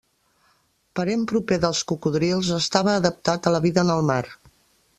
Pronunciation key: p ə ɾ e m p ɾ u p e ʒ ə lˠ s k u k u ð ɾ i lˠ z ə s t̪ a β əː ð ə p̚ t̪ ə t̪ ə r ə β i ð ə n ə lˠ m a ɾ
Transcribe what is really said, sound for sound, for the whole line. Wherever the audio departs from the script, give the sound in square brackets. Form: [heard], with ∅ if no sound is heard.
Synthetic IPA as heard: p ə ɾ e m p ɾ u p e [ð] ə lˠ s k u k u ð ɾ i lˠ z ə s t̪ a β əː ð ə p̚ t̪ [a] t̪ ə [l] ə β i ð ə n ə lˠ m a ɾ